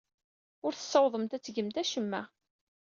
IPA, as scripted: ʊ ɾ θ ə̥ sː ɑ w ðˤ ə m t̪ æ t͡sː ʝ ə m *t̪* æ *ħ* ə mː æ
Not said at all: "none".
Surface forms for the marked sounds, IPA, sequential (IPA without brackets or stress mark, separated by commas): t̪, ʃ